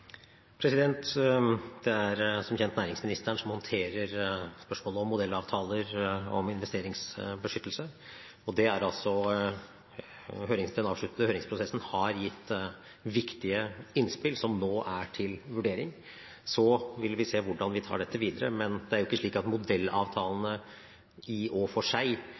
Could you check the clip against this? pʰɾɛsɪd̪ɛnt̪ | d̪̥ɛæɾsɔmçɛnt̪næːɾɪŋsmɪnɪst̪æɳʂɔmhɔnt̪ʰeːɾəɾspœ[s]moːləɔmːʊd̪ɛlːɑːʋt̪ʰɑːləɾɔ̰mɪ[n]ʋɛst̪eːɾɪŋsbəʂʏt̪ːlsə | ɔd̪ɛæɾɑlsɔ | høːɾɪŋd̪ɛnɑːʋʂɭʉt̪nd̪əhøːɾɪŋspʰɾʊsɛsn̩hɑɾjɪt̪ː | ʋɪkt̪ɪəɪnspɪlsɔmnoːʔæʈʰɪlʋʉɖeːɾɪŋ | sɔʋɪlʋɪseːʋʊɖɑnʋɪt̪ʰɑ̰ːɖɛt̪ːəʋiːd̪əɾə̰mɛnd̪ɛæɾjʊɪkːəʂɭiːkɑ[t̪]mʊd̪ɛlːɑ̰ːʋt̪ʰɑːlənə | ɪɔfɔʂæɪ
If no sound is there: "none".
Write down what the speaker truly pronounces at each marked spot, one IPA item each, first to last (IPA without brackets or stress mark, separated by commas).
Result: ʂ, n, t̪